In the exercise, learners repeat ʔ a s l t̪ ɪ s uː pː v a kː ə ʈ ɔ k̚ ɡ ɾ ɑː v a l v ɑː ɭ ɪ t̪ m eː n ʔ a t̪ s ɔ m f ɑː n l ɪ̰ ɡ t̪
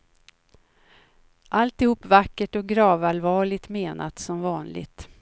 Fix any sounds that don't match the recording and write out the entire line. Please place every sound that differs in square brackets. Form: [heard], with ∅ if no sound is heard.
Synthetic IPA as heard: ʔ a [∅] l t̪ ɪ [h] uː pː v a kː ə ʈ ɔ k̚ ɡ ɾ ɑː v a l v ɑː ɭ ɪ t̪ m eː n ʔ a t̪ s ɔ m [v] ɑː n l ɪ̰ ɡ t̪